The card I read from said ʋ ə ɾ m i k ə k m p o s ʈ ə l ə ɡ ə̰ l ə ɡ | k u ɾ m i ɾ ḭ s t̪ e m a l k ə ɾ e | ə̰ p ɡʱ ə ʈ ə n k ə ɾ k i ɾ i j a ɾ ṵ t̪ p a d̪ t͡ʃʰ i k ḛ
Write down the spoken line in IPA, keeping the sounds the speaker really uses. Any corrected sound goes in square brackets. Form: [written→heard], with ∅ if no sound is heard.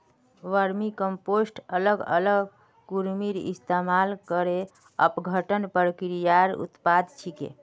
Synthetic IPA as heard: ʋ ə ɾ m i k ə [k→∅] m p o s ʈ ə l ə ɡ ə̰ l ə ɡ | k u ɾ m i ɾ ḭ s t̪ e m a l k ə ɾ e | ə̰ p ɡʱ ə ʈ ə n [k→p] ə ɾ k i ɾ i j a ɾ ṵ t̪ p a d̪ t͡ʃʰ i k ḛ